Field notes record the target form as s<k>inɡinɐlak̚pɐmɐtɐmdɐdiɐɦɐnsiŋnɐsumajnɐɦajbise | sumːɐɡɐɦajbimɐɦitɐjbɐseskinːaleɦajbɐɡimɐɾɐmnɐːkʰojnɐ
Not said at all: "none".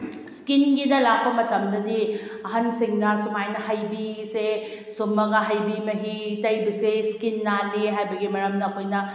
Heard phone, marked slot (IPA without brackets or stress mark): k